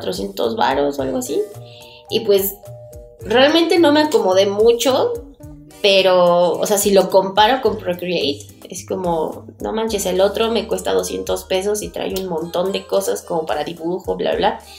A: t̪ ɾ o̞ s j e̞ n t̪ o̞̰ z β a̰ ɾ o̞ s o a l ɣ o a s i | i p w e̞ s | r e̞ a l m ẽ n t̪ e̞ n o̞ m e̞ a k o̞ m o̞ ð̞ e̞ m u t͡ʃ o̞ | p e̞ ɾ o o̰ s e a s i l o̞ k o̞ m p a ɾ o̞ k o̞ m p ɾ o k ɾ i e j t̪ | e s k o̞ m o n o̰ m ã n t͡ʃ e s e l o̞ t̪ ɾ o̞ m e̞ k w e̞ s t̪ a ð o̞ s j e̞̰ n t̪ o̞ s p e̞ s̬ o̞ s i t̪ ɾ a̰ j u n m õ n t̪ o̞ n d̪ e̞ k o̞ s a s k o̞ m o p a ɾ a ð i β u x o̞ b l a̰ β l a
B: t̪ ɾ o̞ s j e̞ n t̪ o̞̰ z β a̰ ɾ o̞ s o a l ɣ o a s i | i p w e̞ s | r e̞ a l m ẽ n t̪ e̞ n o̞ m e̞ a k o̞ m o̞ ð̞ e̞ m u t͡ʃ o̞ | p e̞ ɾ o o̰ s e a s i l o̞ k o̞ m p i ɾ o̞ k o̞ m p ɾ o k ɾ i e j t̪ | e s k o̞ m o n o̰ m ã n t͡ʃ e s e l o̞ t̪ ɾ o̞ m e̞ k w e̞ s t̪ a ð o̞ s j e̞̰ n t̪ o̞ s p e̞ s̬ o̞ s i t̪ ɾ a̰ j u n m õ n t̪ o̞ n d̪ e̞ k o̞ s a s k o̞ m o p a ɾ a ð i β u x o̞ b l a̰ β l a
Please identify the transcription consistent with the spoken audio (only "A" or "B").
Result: A